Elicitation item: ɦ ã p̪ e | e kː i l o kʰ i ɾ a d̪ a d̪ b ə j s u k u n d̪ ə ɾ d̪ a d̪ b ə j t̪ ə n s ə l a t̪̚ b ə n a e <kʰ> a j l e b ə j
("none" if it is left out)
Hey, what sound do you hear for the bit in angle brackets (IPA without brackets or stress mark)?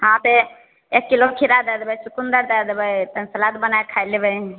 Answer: kʰ